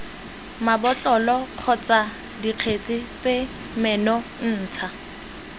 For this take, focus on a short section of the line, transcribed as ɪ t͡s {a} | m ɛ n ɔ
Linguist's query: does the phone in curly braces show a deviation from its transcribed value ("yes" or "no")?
yes